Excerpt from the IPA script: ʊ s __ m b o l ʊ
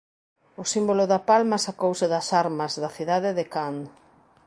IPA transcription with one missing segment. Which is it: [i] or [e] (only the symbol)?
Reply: i